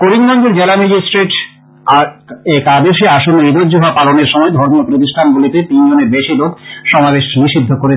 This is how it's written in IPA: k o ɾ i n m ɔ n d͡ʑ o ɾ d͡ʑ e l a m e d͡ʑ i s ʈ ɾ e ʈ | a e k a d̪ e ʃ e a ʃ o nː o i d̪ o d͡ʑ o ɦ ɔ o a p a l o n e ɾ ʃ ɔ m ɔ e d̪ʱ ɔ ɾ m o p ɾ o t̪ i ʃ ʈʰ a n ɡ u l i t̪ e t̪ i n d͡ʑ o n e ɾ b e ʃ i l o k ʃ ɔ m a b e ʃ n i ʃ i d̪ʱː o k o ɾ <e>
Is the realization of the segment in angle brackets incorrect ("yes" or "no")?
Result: no